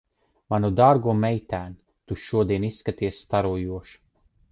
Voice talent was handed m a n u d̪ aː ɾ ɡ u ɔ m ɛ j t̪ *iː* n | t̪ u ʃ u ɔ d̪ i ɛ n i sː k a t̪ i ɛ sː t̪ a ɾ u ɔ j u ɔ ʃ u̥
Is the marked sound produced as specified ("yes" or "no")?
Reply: no